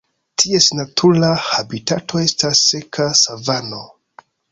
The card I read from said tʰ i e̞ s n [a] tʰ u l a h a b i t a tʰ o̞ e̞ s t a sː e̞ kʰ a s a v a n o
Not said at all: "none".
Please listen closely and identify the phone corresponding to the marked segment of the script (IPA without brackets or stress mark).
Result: a